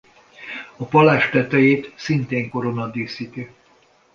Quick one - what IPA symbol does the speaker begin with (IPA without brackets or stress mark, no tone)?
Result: ɒ